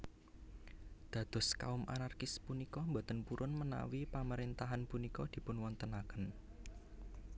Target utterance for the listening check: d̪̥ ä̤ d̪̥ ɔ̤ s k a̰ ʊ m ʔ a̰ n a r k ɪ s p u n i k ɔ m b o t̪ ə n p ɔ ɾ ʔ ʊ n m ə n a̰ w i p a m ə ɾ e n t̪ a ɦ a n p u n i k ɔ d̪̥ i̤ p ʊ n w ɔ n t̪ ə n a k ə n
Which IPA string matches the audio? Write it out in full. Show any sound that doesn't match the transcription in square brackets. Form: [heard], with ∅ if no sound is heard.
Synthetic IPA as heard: d̪̥ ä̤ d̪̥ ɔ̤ s k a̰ ʊ m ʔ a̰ n a r k ɪ s p u n i k ɔ m b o t̪ ə n p [u] ɾ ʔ ʊ n m ə n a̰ w i p a m ə ɾ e n t̪ a ɦ a n p u n i k ɔ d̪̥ i̤ p ʊ n w ɔ n t̪ ə n a k ə n